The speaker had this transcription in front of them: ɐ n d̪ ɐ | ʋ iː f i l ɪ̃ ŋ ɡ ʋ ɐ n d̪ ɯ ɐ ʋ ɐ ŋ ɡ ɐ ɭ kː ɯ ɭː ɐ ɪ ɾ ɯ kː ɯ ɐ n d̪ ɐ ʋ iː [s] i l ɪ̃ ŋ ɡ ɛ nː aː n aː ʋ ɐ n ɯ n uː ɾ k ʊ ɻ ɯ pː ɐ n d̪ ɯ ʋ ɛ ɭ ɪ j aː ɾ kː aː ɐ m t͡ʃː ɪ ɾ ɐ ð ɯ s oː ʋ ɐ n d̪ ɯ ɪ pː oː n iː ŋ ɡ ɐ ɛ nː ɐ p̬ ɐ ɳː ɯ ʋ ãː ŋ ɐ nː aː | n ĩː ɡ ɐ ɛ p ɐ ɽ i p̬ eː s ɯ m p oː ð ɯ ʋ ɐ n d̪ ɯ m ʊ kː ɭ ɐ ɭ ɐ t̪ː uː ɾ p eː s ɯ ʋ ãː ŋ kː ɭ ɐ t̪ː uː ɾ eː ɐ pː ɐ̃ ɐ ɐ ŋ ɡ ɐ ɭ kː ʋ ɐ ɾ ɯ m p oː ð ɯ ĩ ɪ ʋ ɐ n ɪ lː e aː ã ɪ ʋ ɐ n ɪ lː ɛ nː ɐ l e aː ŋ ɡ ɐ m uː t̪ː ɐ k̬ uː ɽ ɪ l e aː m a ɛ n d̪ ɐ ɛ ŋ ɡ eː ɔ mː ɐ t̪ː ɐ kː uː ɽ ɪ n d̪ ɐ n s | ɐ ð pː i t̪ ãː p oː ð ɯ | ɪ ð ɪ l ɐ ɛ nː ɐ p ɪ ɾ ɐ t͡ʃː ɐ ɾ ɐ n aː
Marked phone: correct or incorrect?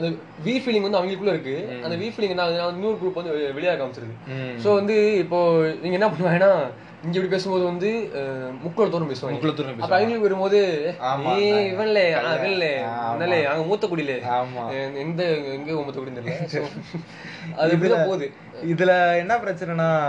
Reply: incorrect